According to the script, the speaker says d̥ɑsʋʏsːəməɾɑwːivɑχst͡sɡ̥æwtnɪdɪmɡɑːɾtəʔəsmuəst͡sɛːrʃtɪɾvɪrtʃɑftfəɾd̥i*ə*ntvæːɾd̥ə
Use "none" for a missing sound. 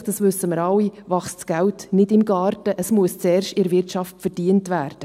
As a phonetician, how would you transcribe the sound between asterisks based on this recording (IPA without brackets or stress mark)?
ə